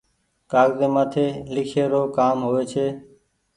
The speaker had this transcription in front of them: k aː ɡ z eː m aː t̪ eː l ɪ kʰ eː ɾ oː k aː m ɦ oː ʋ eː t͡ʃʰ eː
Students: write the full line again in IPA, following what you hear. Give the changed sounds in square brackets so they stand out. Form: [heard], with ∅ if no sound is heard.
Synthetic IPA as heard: k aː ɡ z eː m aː [t̪ʰ] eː l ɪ kʰ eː ɾ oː k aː m ɦ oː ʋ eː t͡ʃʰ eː